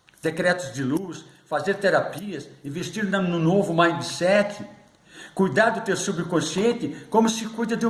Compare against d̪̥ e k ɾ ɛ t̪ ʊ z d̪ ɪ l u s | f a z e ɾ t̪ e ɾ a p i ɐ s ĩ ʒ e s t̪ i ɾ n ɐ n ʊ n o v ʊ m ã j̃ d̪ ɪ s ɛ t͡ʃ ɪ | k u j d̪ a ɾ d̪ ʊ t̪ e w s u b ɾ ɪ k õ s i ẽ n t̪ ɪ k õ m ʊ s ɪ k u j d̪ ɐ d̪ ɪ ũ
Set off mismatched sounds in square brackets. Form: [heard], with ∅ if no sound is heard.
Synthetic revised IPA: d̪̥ e k ɾ ɛ t̪ ʊ z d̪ ɪ l u s | f a z e ɾ t̪ e ɾ a p i ɐ s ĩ [v] e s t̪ i ɾ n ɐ n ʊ n o v ʊ m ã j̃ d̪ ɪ s ɛ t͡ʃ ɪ | k u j d̪ a ɾ d̪ ʊ t̪ e w s u b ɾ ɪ k õ s i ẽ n t̪ ɪ k õ m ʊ s ɪ k u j d̪ ɐ d̪ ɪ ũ